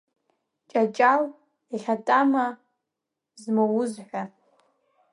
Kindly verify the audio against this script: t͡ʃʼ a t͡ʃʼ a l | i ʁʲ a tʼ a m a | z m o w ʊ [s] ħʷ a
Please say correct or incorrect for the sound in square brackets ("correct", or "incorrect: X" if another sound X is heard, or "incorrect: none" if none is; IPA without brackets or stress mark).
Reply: incorrect: z